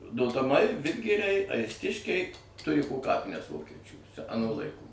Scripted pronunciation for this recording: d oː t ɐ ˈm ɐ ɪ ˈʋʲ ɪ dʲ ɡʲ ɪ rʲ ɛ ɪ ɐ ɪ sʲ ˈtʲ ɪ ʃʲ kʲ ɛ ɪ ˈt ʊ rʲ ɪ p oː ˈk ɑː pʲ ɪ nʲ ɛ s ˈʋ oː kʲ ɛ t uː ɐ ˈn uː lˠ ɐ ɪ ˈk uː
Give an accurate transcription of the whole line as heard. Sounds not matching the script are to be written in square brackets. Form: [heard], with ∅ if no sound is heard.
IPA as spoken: d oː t ɐ ˈm ɐ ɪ ˈʋʲ ɪ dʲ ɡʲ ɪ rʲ ɛ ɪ ɐ ɪ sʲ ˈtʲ ɪ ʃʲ kʲ ɛ ɪ ˈt ʊ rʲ ɪ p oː ˈk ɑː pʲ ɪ nʲ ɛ s ˈʋ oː kʲ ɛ [t͡ʃʲ] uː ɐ ˈn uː lˠ ɐ ɪ ˈk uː